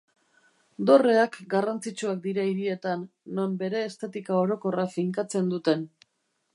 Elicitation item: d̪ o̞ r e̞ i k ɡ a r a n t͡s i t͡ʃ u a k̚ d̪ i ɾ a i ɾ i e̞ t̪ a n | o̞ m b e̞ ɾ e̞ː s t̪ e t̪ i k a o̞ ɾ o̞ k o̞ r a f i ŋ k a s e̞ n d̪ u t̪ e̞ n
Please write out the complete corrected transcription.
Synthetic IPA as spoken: d̪ o̞ r e̞ a k ɡ a r a n t͡s i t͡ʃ u a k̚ d̪ i ɾ a i ɾ i e̞ t̪ a nː | o̞ m b e̞ ɾ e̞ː s t̪ e t̪ i k a o̞ ɾ o̞ k o̞ r a f i ŋ k a t͡s e̞ n d̪ u t̪ e̞ n